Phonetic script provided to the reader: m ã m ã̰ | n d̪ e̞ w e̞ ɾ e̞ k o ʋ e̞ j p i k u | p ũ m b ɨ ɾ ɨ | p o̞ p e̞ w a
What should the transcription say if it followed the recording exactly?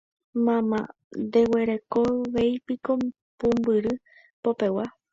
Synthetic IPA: m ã m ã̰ | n d̪ e̞ w e̞ ɾ e̞ k o ʋ e̞ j p i k o | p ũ m b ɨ ɾ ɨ | p o̞ p e̞ w a